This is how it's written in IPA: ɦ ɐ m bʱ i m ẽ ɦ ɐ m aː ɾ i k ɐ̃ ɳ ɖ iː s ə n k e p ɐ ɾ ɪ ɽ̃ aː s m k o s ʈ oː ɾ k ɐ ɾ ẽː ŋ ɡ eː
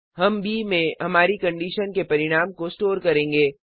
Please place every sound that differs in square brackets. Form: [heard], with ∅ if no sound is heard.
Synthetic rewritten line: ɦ ɐ m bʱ i m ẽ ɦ ɐ m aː ɾ i k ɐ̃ ɳ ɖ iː [ʃ] ə n k e p ɐ ɾ ɪ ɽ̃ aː [∅] m k o s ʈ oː ɾ k ɐ ɾ ẽː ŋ ɡ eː